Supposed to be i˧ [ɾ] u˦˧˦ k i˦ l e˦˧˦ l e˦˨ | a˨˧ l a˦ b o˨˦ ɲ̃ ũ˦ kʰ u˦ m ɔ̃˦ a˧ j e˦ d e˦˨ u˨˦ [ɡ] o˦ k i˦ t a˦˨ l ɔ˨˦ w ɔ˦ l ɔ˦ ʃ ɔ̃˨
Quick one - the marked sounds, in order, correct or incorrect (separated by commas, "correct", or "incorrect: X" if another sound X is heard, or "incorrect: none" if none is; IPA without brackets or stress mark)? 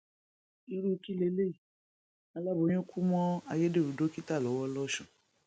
correct, incorrect: d